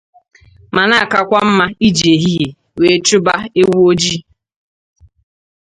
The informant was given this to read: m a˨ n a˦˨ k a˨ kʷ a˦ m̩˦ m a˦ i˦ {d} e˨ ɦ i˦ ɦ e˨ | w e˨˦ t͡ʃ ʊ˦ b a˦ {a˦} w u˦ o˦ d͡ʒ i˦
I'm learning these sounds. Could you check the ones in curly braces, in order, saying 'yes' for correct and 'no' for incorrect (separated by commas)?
no, no